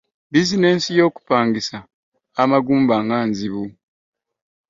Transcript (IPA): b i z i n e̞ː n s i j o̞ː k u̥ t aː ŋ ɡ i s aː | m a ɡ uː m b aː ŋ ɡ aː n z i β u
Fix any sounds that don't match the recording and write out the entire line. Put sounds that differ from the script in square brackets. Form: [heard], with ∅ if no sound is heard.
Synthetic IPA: b i z i n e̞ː n s i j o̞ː k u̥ [p] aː ŋ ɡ i s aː | m a ɡ uː m b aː ŋ ɡ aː n z i β u